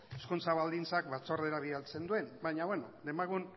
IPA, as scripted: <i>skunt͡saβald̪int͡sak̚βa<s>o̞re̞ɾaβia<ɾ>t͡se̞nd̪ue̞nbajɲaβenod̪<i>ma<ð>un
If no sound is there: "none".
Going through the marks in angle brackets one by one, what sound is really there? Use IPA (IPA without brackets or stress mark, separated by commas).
e, t͡s, l, e, ɣ